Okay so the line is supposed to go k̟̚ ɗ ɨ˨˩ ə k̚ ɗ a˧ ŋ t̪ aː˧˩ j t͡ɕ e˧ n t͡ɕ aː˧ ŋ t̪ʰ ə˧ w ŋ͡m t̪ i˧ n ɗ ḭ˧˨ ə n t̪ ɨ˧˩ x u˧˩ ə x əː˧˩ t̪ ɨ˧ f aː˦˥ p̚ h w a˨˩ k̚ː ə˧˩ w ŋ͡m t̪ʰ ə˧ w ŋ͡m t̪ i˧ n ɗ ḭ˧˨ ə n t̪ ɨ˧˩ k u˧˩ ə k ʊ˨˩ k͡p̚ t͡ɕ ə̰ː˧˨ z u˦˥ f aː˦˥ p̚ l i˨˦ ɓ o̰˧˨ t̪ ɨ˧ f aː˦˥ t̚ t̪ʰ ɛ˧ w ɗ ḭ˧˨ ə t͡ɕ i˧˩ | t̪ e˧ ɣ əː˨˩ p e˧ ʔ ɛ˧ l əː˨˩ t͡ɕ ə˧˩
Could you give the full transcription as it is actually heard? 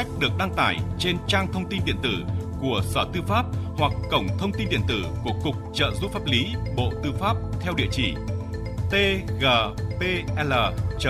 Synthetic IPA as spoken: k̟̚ ɗ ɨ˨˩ ə k̚ ɗ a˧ ŋ t̪ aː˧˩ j t͡ɕ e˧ n t͡ɕ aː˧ ŋ t̪ʰ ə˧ w ŋ͡m t̪ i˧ n ɗ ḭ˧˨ ə n t̪ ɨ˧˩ k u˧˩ ə s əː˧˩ t̪ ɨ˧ f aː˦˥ p̚ h w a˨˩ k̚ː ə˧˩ w ŋ͡m t̪ʰ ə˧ w ŋ͡m t̪ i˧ n ɗ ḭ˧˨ ə n t̪ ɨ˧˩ k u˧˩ ə k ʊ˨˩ k͡p̚ t͡ɕ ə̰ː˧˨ z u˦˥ f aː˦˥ p̚ l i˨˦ ɓ o̰˧˨ t̪ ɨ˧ f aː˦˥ p̚ t̪ʰ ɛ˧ w ɗ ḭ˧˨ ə t͡ɕ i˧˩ | t̪ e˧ ɣ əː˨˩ p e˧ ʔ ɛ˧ l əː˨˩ t͡ɕ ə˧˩